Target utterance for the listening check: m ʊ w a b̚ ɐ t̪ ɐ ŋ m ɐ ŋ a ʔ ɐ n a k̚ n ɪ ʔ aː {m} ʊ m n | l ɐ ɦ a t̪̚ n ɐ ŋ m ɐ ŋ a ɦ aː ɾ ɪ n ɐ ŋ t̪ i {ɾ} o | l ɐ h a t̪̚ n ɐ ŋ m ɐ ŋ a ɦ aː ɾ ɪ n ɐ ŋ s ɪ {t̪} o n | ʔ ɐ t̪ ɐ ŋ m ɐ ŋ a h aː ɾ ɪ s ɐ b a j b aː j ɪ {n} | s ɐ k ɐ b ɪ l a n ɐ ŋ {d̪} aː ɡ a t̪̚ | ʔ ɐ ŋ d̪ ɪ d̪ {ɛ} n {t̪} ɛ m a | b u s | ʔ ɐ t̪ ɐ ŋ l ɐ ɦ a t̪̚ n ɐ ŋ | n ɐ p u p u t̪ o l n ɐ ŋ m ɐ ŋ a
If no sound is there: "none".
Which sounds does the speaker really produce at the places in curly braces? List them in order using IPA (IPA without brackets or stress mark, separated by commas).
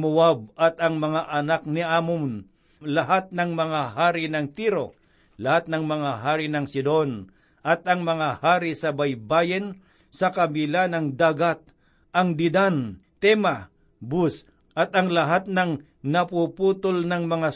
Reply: m, ɾ, d̪, n, d̪, a, t̪